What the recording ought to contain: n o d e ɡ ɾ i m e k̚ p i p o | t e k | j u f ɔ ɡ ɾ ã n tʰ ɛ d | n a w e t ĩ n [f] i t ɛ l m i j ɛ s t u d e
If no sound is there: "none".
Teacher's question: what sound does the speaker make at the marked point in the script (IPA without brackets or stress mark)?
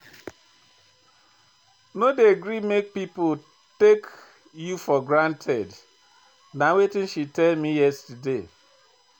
ʃ